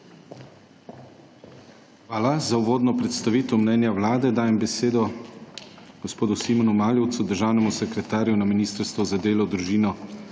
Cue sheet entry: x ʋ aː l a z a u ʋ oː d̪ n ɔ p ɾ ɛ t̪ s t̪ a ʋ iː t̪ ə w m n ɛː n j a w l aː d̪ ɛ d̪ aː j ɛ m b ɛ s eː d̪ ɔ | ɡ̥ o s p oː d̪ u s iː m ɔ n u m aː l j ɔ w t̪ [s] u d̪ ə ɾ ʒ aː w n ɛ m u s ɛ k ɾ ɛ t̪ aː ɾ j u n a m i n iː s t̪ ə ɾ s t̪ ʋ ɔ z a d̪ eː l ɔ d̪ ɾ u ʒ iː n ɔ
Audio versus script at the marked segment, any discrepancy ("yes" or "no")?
no